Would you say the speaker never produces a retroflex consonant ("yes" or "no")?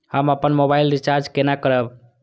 yes